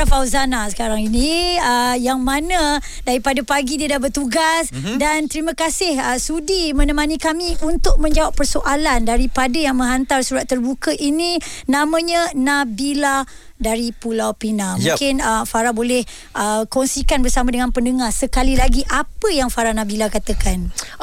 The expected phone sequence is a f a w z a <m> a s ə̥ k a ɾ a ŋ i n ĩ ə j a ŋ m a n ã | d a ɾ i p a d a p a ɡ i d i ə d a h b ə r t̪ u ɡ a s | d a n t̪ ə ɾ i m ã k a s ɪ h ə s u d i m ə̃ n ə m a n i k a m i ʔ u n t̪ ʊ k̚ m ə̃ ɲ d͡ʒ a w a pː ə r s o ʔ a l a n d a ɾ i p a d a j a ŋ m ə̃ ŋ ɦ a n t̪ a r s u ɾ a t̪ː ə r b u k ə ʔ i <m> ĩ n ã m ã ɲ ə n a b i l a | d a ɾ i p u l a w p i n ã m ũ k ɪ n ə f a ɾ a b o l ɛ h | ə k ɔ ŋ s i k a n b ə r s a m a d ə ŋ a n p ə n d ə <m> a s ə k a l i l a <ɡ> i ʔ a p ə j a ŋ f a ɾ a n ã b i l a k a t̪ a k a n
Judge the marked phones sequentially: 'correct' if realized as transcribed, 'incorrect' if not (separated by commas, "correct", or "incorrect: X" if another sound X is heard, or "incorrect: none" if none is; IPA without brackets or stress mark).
incorrect: n, incorrect: n, incorrect: ŋ, correct